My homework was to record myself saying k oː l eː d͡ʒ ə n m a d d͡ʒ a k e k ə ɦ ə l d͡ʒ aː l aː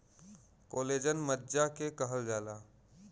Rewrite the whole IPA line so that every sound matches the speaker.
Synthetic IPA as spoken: k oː l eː d͡ʒ ə n m ə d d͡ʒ a k e k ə ɦ ə l d͡ʒ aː l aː